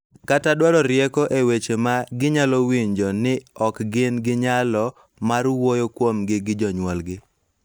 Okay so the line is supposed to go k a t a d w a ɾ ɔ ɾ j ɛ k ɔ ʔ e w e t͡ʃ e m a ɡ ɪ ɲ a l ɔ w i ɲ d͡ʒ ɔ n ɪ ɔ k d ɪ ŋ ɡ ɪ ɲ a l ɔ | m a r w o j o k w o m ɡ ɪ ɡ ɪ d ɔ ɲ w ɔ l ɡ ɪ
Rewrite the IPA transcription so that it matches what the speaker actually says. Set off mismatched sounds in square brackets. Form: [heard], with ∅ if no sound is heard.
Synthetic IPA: k a t a d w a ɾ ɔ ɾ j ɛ k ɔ ʔ e w e t͡ʃ e m a ɡ ɪ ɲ a l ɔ w i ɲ d͡ʒ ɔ n ɪ ɔ k [ɡ] ɪ [n] ɡ ɪ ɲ a l ɔ | m a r w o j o k w o m ɡ ɪ ɡ ɪ [d͡ʒ] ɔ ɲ w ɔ l ɡ ɪ